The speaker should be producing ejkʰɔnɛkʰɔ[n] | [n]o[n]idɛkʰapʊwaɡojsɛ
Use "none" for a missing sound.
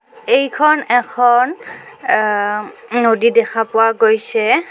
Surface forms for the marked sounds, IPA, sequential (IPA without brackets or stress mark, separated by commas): n, n, d